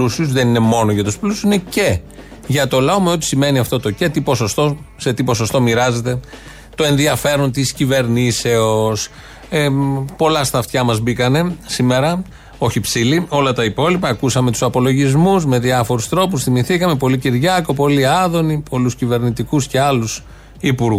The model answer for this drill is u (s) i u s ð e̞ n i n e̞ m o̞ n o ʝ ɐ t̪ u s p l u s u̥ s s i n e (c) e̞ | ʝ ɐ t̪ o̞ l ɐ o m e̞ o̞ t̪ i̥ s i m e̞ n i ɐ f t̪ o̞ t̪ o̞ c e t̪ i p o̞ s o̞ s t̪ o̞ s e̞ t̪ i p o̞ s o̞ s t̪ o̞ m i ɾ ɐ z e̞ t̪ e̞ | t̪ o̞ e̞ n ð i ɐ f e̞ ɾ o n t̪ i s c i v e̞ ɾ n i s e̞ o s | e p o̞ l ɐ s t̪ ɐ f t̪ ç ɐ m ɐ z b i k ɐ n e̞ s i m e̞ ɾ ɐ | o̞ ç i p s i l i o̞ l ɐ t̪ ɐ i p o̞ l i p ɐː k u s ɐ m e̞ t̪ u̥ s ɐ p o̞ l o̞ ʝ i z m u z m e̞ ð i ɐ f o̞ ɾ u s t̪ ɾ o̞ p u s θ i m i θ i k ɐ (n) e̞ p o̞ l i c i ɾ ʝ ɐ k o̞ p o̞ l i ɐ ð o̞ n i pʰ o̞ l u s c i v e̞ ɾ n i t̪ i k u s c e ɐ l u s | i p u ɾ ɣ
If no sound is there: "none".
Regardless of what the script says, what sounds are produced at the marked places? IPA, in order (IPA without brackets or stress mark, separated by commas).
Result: s, c, m